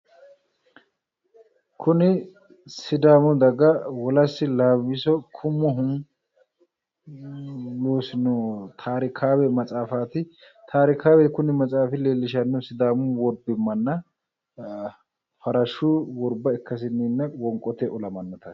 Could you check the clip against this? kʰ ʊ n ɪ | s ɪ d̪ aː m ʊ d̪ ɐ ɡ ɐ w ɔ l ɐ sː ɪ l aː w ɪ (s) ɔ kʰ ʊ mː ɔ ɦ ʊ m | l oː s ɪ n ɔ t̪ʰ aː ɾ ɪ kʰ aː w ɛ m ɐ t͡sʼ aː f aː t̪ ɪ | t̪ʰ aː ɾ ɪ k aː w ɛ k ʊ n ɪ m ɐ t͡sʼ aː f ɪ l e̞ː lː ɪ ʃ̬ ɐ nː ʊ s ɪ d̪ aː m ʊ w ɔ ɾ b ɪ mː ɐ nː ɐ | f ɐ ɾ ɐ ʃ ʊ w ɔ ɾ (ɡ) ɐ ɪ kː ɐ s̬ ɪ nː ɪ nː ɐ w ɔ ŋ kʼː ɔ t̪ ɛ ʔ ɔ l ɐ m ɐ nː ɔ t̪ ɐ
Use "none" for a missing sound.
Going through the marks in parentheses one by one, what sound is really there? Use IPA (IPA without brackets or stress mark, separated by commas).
s, b